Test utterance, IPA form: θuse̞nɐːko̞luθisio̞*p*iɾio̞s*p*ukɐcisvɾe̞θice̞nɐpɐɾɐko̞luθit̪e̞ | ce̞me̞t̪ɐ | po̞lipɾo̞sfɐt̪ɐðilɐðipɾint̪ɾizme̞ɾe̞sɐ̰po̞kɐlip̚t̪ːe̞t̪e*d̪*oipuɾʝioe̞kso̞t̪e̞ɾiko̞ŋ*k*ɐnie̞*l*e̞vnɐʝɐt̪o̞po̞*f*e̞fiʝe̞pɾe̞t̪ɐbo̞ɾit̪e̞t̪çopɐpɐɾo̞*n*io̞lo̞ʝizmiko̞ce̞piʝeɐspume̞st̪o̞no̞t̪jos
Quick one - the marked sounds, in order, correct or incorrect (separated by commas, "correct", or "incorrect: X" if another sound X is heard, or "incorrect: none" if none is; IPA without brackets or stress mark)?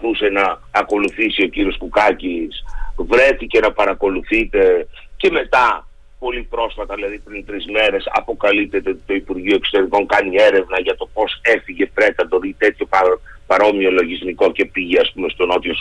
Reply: incorrect: c, incorrect: k, incorrect: t̪, correct, incorrect: ɾ, incorrect: s, incorrect: m